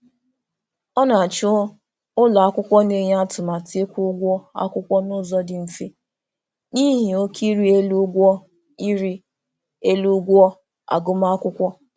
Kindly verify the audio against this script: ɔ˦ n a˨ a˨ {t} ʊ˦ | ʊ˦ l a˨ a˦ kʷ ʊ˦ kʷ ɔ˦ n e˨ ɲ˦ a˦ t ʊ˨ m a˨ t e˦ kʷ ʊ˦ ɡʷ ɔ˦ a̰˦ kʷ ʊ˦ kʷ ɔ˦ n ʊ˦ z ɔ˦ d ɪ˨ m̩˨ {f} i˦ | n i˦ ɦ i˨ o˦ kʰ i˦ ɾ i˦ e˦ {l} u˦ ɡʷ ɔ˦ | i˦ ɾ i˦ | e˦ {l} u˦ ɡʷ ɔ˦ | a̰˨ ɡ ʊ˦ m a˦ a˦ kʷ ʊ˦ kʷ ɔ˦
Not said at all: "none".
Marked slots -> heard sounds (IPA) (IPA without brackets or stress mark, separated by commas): t͡ʃ, f, l, l